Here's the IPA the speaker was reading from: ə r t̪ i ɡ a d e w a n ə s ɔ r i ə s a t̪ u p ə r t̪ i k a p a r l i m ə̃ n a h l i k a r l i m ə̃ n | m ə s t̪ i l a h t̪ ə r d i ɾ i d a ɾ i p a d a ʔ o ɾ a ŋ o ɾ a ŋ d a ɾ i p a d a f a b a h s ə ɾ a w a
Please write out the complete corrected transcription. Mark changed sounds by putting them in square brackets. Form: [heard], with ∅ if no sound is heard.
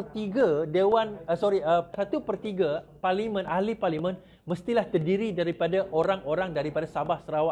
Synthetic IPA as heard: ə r t̪ i ɡ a d e w a n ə s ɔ [ɾ] i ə s a t̪ u p ə r t̪ i [ɡ] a p a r l i m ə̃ n a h l i [p] a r l i m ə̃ n | m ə s t̪ i l a h t̪ ə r d i ɾ i d a ɾ i p a d a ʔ o ɾ a ŋ o ɾ a ŋ d a ɾ i p a d a [s] a b a h s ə ɾ a w a